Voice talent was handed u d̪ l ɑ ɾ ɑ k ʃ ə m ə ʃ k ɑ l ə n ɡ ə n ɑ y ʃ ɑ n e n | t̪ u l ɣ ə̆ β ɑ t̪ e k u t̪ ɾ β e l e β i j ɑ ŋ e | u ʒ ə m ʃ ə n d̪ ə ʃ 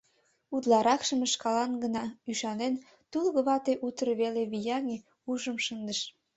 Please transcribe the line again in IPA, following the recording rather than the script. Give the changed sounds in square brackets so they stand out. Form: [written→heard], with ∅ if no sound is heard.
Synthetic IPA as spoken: u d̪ l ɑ ɾ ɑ k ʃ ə m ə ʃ k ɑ l [ə→ɑ] n ɡ ə n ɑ y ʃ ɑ n e n | t̪ u l ɣ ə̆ β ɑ t̪ e [k→ʔ] u t̪ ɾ β e l e β i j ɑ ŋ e | u ʒ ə m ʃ ə n d̪ ə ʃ

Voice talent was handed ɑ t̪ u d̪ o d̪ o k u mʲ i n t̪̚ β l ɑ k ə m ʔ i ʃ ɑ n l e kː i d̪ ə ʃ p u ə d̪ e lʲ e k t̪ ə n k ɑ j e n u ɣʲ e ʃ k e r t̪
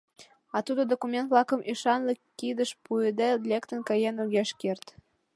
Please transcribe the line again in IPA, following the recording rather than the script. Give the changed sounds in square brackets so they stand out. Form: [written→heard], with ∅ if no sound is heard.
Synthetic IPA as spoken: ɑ t̪ u d̪ o d̪ o k u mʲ [i→e] n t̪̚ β l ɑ k ə m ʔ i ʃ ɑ n l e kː i d̪ ə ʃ p u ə d̪ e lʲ e k t̪ ə n k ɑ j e n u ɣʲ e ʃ k e r t̪

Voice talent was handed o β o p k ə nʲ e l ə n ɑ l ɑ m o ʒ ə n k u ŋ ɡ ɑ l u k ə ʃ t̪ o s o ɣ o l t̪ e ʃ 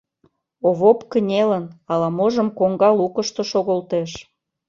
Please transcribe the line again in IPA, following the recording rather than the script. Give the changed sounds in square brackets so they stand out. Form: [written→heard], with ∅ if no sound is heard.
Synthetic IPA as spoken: o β o p k ə nʲ e l ə n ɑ l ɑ m o ʒ ə [n→m] k [u→o] ŋ ɡ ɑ l u k ə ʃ t̪ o [s→ʃ] o ɣ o l t̪ e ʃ

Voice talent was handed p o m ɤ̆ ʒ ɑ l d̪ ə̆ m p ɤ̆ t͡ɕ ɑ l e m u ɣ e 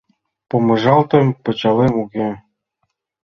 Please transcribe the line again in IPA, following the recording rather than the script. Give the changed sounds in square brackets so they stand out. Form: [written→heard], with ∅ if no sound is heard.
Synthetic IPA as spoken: p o m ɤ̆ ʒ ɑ l [d̪→t̪] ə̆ m p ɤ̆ t͡ɕ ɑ l e m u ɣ e

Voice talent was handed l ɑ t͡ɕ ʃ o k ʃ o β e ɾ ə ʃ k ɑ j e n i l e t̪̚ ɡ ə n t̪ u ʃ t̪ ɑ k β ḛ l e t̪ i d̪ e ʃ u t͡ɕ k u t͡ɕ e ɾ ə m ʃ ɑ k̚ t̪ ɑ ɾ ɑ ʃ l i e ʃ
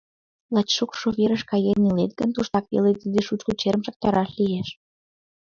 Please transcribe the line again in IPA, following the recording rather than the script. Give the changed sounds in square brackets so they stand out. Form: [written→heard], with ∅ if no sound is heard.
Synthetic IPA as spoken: l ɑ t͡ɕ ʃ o k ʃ o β e ɾ ə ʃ k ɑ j e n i l e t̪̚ ɡ ə n t̪ u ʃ t̪ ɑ k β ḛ l e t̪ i d̪ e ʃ u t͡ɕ k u t͡ɕ e ɾ ə m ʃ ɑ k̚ t̪ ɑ ɾ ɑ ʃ l i e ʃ

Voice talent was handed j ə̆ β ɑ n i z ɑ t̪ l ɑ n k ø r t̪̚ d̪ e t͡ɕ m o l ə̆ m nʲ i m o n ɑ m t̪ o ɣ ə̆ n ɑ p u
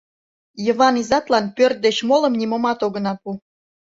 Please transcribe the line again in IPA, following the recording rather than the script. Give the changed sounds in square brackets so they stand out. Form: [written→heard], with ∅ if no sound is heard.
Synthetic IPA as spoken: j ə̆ β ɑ n i z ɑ t̪ l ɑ n [k→p] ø r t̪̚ d̪ e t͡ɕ m o l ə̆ m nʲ i m o [n→m] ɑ [m→∅] t̪ o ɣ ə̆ n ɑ p u

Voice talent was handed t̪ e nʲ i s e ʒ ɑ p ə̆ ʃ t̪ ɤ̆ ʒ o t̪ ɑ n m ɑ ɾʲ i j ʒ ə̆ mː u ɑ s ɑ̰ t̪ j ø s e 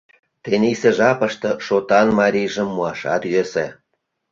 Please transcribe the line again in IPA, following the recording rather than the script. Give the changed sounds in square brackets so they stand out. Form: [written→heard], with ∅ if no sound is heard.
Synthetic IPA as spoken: t̪ e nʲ i s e ʒ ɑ p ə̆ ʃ t̪ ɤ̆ [ʒ→ʃ] o t̪ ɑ n m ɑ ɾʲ i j ʒ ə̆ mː u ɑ [s→ʃ] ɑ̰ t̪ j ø s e

